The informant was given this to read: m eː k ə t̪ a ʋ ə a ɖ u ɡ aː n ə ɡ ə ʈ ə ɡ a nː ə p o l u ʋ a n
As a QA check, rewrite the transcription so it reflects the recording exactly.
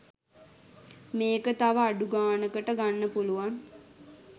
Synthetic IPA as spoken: m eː k ə t̪ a ʋ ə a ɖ u ɡ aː n ə k ə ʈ ə ɡ a nː ə p u l u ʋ a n

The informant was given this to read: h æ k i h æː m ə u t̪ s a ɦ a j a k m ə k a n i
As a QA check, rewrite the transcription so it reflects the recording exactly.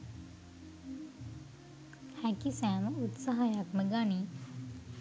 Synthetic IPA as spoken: h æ k i s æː m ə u t̪ s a ɦ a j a k m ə ɡ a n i

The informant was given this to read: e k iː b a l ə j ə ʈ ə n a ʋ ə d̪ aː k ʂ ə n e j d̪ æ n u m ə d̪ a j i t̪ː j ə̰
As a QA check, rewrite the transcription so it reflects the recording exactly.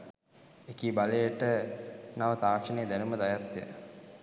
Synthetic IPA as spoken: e k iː b a l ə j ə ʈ ə n a ʋ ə t̪ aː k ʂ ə n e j d̪ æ n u m ə d̪ a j a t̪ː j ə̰

